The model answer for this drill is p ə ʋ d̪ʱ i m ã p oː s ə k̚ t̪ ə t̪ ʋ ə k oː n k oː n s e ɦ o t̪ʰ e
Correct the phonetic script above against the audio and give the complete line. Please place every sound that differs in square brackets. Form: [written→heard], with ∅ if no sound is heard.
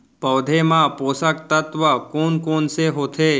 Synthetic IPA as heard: p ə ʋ d̪ʱ [i→e] m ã p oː s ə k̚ t̪ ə t̪ ʋ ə k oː n k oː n s e ɦ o t̪ʰ e